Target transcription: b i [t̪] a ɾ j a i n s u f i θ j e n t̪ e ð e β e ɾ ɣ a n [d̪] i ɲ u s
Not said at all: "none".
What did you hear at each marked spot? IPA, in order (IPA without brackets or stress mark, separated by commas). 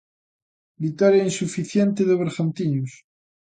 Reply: t̪, t̪